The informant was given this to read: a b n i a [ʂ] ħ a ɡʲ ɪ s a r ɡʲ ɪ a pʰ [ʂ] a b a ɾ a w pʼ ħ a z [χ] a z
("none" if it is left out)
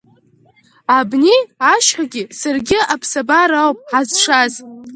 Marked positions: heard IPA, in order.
ʃ, s, ʂ

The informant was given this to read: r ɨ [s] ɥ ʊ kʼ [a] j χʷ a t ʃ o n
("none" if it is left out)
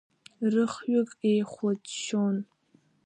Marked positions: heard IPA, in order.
χ, e

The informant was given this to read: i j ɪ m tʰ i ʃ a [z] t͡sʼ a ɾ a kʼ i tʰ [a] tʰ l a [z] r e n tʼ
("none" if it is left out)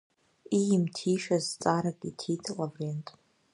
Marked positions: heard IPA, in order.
z, i, v

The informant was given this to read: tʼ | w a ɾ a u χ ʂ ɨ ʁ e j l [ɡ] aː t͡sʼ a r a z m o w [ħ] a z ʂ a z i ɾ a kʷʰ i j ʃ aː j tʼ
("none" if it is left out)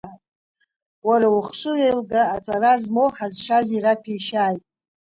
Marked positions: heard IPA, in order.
ɡ, ħ

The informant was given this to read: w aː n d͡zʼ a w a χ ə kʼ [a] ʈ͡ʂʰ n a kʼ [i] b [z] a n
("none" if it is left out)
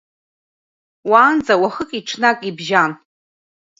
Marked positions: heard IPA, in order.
i, i, ʒ

